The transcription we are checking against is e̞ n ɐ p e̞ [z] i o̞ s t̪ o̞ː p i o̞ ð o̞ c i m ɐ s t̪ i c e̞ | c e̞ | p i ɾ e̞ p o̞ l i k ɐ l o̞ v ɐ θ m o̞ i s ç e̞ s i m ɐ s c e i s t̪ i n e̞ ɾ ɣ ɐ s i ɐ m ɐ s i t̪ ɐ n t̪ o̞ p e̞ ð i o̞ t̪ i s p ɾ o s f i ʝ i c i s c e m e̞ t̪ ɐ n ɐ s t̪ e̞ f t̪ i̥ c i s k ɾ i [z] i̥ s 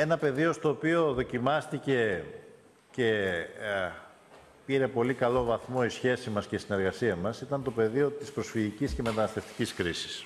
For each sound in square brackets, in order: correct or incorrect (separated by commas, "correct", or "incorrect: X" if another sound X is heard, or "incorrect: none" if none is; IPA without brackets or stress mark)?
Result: incorrect: ð, incorrect: s